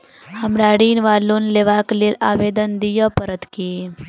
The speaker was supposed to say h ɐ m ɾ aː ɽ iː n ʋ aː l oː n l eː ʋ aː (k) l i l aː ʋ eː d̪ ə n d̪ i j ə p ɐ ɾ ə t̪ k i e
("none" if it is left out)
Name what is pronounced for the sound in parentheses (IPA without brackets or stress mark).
k